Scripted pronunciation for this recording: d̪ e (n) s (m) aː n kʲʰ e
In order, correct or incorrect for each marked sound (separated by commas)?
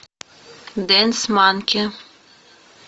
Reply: correct, correct